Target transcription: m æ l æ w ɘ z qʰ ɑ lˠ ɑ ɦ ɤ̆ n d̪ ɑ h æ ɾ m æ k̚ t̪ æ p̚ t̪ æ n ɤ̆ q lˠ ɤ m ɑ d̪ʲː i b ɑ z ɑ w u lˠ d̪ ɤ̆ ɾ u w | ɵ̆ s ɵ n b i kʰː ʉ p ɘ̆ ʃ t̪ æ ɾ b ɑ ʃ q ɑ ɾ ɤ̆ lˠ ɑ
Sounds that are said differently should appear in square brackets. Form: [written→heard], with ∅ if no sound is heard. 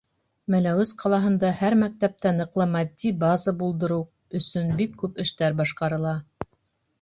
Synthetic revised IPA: m æ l æ w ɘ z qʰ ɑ lˠ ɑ ɦ ɤ̆ n d̪ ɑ h æ ɾ m æ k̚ t̪ æ p̚ t̪ æ n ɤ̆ q lˠ ɤ m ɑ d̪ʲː i b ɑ z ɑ [w→b] u lˠ d̪ ɤ̆ ɾ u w | ɵ̆ s ɵ n b i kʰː ʉ p ɘ̆ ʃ t̪ æ ɾ b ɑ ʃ q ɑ ɾ ɤ̆ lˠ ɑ